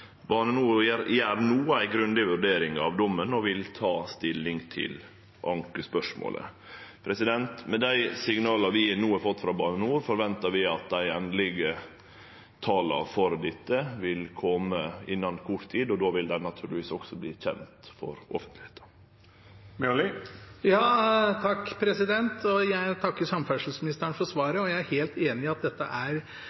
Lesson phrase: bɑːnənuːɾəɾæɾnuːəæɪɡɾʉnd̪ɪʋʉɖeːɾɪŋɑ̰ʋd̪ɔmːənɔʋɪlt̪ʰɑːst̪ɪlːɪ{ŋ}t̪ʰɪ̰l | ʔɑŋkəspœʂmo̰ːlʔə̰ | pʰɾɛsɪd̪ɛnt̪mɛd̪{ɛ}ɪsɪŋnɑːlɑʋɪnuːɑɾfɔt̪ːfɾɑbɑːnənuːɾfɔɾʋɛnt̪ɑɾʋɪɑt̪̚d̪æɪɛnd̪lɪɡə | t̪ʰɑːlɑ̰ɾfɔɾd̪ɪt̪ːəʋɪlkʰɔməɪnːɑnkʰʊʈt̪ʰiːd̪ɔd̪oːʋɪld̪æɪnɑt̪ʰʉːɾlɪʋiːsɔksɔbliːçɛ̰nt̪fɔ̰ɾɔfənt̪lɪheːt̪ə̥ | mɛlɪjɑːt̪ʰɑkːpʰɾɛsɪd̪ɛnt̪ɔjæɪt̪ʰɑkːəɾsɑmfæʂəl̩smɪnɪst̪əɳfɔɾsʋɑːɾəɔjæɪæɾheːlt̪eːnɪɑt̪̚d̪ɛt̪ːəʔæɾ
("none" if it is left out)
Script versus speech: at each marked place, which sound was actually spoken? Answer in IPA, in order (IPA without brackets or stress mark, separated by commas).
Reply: ŋ, æ